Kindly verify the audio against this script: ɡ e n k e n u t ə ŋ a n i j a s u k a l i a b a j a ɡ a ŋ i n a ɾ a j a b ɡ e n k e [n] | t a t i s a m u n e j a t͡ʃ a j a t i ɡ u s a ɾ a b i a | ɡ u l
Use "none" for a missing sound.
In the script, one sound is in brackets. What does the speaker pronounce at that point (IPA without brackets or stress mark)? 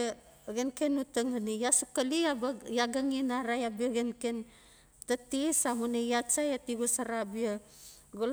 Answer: n